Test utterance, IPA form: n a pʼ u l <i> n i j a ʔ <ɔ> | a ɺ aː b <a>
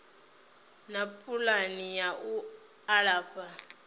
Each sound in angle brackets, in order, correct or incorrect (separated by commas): incorrect, incorrect, correct